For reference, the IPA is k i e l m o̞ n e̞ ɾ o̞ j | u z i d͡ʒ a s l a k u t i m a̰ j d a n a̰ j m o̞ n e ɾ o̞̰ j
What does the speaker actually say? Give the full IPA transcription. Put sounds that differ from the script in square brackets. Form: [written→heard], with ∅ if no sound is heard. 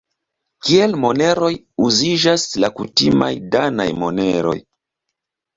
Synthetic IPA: k i e l m o̞ n e̞ ɾ o̞ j | u z i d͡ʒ a s l a k u t i m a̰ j d a n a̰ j m o̞ n e ɾ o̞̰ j